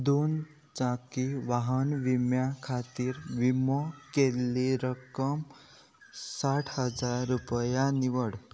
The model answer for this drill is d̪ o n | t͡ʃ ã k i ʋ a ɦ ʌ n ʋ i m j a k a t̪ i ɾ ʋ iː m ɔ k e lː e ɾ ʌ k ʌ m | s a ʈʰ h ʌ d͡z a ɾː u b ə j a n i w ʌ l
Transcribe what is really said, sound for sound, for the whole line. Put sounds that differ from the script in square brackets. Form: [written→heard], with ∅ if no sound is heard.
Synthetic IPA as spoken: d̪ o n | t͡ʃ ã k i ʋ a ɦ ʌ n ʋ i m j a [k→kʰ] a t̪ i ɾ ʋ [iː→i] m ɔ k e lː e ɾ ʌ k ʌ m | s a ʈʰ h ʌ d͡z a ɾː u [b→p] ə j a n i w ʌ [l→ɽ]